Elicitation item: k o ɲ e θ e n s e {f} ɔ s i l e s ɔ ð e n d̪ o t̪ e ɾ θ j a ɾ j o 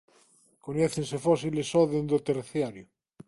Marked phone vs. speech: correct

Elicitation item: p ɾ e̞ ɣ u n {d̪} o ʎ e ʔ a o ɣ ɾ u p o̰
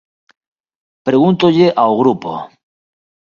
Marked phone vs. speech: incorrect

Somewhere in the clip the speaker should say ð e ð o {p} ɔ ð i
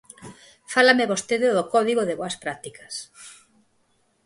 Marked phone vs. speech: incorrect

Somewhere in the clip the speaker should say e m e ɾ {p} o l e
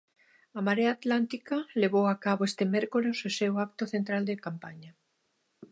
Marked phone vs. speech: incorrect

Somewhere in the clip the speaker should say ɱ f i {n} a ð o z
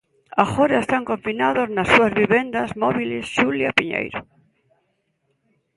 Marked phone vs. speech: correct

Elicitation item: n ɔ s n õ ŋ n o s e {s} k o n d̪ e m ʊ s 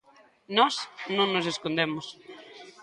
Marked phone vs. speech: correct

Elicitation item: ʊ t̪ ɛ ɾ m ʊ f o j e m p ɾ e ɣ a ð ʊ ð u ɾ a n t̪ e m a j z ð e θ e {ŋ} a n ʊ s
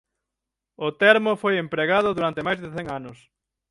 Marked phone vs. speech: correct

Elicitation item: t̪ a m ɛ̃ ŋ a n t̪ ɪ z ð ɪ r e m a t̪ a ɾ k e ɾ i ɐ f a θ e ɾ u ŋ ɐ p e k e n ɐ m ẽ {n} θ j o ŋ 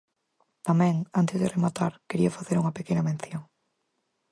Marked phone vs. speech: correct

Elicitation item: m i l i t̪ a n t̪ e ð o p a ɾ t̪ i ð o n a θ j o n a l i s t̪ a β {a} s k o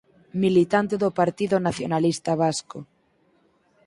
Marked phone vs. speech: correct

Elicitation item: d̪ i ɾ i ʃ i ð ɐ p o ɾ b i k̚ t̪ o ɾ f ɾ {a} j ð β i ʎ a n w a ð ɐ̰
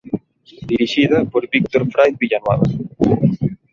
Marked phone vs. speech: correct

